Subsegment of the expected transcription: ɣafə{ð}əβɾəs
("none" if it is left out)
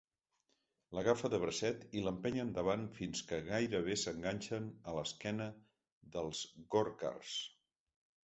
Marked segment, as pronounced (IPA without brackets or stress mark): ð